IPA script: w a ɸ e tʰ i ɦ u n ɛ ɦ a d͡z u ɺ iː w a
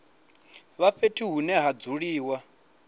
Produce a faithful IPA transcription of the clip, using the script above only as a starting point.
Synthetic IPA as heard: β a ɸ e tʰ i ɦ u n ɛ ɦ a d͡z u ɺ iː w a